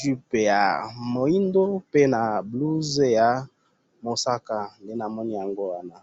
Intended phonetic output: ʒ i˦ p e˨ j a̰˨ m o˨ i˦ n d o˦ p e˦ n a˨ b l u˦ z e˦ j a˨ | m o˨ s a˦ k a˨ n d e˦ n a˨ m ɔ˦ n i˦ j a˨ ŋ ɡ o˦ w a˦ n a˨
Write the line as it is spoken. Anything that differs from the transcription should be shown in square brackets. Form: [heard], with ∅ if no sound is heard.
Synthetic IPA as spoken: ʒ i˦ p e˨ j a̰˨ m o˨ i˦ n d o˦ p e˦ n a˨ b l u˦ z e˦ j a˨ | m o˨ s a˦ k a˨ n d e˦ n a˨ m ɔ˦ n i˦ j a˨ ŋ ɡ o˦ w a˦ n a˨